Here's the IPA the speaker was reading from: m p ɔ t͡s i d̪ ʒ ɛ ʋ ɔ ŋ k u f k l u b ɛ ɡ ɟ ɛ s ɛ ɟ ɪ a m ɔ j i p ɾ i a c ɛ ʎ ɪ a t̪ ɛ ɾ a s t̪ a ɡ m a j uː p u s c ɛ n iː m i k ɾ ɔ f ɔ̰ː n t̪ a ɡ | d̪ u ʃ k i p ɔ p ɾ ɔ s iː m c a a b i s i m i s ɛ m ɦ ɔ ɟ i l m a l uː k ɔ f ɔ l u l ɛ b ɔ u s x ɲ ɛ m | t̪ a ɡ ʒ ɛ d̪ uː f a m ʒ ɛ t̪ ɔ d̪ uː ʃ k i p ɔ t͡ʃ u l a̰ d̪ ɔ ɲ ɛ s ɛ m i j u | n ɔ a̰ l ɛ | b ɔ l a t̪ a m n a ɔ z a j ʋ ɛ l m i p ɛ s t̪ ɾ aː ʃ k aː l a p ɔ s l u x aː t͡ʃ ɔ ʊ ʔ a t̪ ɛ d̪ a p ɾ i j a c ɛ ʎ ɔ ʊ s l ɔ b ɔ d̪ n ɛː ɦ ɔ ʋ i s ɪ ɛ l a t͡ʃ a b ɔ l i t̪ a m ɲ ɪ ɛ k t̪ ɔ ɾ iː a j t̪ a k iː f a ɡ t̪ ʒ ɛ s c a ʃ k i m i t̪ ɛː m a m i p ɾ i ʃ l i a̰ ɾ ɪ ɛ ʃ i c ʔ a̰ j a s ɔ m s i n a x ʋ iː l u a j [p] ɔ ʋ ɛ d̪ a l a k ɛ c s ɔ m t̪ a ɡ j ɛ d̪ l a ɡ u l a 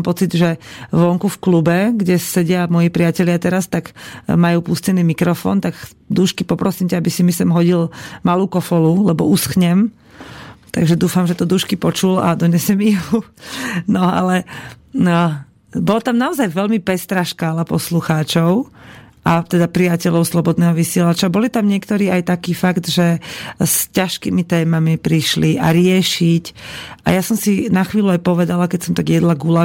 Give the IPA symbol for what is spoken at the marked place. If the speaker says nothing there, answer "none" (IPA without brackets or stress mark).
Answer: p